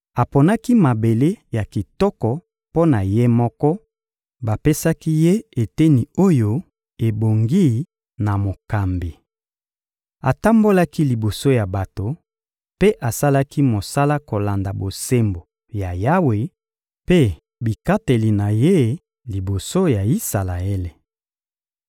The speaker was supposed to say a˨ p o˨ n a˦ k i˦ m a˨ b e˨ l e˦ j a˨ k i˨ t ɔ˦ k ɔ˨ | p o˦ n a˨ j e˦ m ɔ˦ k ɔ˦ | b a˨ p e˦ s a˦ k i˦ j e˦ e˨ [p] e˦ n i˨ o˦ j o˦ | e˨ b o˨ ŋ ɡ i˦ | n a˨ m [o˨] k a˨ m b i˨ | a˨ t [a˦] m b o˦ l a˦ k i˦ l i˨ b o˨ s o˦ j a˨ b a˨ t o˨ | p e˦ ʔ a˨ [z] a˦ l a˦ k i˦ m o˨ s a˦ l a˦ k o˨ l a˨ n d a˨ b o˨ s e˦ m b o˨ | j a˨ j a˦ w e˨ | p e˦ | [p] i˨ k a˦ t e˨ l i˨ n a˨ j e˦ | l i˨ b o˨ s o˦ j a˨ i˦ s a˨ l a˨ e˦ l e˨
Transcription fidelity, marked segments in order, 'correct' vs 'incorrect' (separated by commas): incorrect, correct, correct, incorrect, incorrect